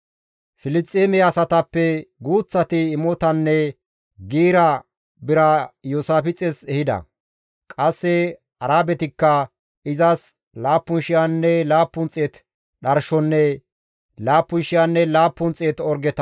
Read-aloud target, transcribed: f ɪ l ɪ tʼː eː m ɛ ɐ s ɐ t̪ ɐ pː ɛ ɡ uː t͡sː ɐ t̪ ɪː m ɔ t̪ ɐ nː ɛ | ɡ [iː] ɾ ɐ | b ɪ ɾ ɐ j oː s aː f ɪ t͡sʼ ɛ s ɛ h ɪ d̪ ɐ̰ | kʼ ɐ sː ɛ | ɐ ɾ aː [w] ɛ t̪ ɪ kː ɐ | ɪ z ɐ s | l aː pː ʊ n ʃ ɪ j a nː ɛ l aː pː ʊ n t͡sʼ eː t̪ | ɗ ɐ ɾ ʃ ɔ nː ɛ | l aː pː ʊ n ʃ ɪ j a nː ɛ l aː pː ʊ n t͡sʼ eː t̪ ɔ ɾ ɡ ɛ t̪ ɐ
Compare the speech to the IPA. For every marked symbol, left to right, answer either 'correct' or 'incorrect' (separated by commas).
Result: correct, incorrect